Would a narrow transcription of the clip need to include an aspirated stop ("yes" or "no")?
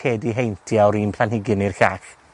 yes